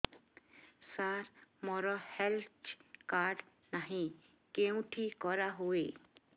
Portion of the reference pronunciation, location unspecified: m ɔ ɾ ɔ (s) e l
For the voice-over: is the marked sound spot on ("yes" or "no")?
no